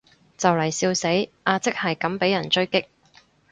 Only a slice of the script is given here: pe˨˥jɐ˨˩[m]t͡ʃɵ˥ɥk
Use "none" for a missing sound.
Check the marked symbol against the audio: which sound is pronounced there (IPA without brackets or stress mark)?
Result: n